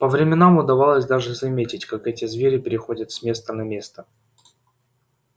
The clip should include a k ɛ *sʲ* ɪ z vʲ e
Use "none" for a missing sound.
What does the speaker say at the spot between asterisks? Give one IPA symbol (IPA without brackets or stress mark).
tʲ